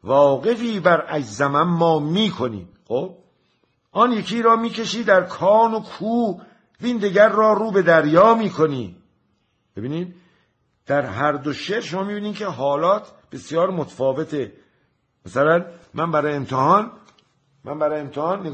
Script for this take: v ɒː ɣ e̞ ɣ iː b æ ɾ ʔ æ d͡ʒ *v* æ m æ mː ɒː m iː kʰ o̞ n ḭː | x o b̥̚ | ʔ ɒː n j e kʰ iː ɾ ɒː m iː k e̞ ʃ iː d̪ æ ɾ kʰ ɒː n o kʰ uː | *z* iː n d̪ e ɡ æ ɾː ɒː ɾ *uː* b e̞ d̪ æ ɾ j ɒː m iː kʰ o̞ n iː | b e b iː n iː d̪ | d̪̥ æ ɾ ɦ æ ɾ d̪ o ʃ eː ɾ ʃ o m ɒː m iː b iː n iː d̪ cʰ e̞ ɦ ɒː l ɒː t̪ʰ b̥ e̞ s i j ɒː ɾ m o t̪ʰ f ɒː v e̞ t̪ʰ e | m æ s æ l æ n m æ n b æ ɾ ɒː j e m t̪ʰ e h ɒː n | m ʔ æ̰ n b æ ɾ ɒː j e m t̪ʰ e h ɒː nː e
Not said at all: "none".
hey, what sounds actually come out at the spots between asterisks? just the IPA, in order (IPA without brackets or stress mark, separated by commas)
z, v, uː